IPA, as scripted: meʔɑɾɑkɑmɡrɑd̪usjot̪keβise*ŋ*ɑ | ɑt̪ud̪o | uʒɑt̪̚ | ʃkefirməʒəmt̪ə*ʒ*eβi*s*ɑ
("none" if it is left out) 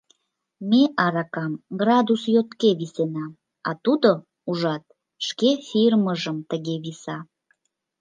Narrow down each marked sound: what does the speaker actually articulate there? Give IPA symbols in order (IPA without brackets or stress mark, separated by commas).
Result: n, ɣ, s